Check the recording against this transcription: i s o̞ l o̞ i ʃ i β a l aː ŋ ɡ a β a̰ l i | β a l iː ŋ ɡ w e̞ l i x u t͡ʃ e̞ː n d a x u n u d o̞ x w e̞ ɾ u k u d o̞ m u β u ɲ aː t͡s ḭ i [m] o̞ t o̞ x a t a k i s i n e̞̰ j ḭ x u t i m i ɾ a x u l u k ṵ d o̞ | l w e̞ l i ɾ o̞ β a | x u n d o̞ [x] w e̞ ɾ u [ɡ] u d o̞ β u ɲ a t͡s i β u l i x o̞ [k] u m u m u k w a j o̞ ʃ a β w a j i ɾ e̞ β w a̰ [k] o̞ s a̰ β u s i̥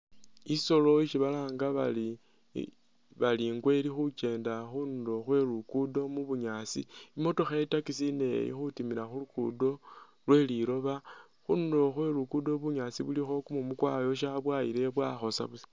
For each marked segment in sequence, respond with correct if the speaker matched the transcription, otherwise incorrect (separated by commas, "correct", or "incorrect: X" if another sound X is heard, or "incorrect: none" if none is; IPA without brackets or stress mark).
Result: correct, correct, incorrect: k, correct, incorrect: x